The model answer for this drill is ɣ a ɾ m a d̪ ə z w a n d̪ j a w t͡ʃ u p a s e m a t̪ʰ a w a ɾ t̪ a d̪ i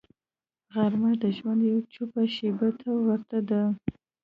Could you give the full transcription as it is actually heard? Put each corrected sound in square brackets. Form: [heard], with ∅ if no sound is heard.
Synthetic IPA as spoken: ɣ a ɾ m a d̪ ə [ʒ] w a n d̪ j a w t͡ʃ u p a [ʃ] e [b] a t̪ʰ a w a ɾ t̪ a d̪ [a]